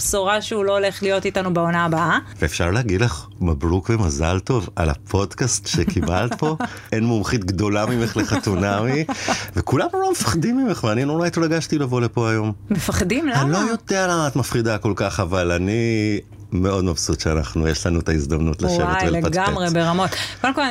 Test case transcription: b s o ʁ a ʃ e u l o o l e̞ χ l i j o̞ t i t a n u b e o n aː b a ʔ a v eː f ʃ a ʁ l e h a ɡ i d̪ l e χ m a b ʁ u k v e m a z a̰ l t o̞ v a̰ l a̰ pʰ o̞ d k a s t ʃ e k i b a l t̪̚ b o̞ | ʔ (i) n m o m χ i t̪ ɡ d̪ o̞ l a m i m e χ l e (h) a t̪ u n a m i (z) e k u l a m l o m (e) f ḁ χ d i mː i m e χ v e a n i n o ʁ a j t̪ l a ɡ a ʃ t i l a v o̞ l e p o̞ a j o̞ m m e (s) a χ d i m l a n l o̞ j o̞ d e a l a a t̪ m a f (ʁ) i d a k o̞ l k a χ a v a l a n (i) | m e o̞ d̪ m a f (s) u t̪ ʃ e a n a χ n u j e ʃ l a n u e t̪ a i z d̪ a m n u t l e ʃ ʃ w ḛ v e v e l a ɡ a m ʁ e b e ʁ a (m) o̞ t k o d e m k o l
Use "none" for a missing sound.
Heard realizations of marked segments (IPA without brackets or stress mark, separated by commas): e, χ, v, e, f, χ, i, s, m